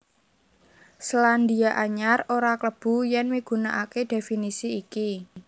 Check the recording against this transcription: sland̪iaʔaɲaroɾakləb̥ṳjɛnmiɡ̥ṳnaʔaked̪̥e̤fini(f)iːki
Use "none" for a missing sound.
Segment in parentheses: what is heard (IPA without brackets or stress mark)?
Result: s